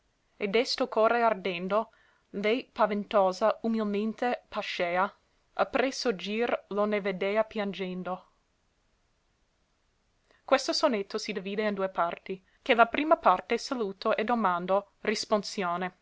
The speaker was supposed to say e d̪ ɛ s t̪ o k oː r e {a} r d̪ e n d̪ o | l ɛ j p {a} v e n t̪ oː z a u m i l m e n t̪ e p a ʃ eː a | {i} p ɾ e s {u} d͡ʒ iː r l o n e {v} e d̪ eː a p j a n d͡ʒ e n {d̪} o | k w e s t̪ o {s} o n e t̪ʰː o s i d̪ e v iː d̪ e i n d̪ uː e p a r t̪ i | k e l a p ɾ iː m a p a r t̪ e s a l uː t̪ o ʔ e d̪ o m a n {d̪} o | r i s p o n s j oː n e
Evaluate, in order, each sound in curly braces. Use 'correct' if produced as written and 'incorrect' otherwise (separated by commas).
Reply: correct, correct, incorrect, incorrect, correct, correct, correct, correct